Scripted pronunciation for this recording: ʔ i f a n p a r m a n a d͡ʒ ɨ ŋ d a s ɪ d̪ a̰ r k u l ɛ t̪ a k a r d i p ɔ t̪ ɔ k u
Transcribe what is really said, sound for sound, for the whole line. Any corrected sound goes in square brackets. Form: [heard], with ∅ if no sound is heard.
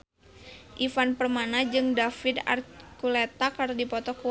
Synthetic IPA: ʔ i f a n p [ə] r m a n a d͡ʒ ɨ ŋ d a [f] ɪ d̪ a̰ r k u l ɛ t̪ a k a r d i p ɔ t̪ ɔ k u